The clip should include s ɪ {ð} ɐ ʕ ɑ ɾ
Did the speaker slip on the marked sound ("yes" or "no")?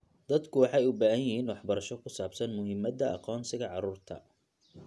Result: yes